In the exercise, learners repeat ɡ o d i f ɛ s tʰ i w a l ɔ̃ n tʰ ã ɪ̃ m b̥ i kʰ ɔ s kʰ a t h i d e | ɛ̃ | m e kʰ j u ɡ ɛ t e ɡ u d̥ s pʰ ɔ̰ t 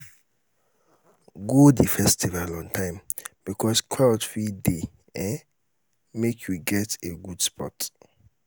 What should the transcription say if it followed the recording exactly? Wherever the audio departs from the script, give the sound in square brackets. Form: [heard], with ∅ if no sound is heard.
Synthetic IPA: ɡ o d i f ɛ s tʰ i [v] a l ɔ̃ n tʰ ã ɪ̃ m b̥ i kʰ ɔ s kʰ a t [f] i d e | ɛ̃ | m e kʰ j u ɡ ɛ t e ɡ u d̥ s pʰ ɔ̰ t